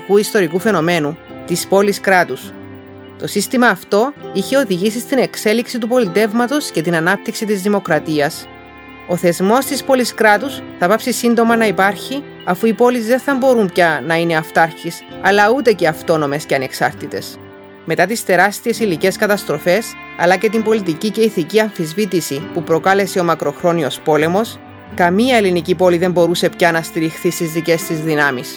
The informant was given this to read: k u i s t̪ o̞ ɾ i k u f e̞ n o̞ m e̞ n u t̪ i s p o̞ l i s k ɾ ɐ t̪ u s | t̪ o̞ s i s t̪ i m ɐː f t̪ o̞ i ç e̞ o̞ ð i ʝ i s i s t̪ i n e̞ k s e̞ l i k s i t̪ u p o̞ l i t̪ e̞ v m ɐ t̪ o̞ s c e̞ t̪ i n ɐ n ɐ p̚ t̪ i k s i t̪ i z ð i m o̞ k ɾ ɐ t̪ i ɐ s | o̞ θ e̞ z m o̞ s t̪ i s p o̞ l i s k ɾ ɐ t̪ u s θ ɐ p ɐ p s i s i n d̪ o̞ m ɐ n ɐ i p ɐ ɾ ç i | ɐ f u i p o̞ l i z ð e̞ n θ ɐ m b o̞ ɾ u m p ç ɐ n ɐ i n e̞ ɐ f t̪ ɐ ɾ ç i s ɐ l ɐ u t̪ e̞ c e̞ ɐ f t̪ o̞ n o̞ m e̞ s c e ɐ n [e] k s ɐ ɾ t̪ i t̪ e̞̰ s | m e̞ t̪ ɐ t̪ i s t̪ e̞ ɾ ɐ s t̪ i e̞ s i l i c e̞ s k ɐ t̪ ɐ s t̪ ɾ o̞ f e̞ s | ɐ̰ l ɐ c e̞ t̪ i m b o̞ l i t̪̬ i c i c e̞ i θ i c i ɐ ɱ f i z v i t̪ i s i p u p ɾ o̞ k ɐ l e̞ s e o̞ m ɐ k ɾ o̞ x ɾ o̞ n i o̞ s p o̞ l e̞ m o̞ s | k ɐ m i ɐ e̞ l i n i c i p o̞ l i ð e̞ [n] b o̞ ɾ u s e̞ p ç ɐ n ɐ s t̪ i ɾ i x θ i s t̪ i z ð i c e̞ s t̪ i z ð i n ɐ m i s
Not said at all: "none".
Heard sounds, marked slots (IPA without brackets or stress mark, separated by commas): e, m